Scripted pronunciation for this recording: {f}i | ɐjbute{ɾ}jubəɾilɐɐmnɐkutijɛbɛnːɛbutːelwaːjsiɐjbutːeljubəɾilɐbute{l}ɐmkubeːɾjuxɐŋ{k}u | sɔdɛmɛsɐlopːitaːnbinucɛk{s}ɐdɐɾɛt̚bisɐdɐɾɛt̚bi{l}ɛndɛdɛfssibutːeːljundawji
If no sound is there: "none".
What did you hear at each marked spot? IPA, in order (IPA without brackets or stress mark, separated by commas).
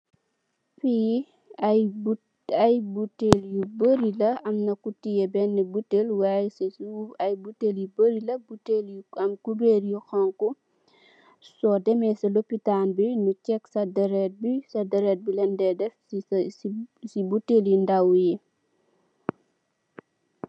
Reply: f, l, l, k, s, l